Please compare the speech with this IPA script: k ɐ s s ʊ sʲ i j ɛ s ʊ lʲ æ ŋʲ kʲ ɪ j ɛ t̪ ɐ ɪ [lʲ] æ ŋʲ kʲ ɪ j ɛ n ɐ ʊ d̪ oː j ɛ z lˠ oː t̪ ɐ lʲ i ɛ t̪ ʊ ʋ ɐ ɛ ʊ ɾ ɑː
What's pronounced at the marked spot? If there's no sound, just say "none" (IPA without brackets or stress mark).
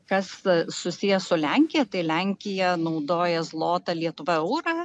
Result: lʲ